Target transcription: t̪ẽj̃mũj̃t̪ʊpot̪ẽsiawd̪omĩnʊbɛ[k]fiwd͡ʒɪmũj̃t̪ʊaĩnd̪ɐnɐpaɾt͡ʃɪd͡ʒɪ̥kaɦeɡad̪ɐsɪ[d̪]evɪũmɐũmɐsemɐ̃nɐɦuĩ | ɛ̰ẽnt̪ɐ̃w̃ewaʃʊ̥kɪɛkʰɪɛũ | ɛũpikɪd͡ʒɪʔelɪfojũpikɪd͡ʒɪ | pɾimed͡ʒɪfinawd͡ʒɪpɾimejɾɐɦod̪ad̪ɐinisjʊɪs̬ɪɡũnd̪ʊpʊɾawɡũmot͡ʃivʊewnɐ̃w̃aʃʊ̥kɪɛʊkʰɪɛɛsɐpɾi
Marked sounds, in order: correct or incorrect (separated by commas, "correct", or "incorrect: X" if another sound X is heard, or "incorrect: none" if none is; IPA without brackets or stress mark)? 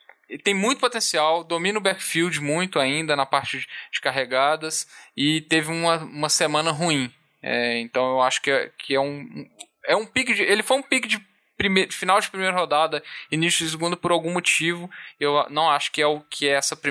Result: correct, incorrect: t̪